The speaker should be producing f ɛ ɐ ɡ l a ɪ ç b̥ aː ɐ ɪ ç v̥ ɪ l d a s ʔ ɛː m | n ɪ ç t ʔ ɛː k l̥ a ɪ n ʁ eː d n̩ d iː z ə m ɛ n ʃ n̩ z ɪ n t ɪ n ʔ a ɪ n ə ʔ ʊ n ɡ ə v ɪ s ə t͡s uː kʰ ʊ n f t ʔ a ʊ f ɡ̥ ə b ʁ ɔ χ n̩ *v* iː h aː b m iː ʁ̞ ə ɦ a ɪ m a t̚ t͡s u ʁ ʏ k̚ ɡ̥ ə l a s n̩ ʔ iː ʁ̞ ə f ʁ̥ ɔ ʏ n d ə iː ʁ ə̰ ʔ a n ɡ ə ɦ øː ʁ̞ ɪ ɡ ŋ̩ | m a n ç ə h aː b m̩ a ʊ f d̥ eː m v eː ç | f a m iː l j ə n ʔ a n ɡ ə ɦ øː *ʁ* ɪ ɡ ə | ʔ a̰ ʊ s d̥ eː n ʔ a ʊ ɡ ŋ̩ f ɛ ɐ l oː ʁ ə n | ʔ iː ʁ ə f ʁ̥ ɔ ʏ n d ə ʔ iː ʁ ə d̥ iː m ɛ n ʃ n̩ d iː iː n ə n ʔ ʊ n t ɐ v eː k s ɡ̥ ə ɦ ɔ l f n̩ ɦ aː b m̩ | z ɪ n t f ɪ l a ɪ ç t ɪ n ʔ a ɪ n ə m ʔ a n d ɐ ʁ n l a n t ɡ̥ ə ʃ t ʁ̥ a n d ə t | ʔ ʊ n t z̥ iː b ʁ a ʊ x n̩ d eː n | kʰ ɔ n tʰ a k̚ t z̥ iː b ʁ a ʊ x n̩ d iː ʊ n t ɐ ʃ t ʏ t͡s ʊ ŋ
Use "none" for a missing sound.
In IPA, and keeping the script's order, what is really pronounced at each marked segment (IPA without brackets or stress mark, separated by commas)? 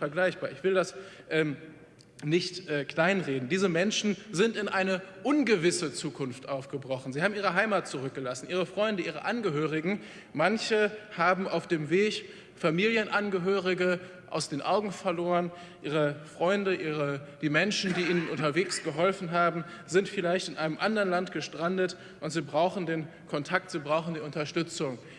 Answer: z, ʁ